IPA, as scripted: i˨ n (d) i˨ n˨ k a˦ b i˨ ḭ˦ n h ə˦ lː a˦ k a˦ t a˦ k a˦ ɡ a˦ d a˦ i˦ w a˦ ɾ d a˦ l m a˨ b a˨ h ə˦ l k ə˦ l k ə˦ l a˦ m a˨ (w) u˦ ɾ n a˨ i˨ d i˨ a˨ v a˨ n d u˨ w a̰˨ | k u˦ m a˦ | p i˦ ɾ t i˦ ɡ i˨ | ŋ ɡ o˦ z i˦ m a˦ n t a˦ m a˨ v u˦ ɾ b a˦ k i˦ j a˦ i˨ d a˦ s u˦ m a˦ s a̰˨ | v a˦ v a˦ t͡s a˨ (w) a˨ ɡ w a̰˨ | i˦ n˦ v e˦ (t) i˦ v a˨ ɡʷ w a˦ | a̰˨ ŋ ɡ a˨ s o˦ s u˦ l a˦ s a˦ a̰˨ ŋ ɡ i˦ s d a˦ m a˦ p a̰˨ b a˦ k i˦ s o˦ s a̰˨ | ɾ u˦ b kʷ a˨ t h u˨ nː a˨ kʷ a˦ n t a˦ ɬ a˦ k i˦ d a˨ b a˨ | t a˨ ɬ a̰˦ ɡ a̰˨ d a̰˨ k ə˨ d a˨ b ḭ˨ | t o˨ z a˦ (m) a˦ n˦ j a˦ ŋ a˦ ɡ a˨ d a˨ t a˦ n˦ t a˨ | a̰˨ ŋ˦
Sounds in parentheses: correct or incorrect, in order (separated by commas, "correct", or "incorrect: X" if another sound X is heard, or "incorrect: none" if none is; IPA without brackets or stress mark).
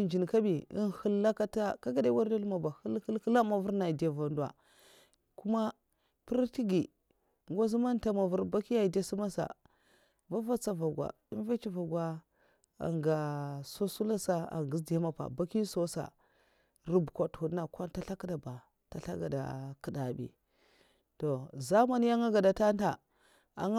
incorrect: d͡ʒ, incorrect: v, incorrect: v, incorrect: t͡ʃ, correct